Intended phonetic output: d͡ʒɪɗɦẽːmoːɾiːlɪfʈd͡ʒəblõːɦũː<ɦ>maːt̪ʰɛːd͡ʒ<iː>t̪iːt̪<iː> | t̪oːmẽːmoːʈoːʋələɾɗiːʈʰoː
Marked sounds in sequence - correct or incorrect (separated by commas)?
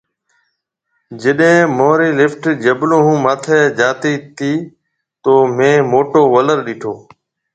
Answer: incorrect, incorrect, correct